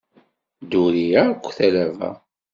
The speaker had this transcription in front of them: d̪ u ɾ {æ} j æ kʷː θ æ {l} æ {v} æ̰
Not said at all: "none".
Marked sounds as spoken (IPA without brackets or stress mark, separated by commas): i, l, v